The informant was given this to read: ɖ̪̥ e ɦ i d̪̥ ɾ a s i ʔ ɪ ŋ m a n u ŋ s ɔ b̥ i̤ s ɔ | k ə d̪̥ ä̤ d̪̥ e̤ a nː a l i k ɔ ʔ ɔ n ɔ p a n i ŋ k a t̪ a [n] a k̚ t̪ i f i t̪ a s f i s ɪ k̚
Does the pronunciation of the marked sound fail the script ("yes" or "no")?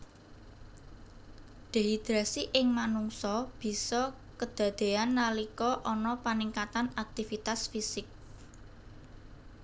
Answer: no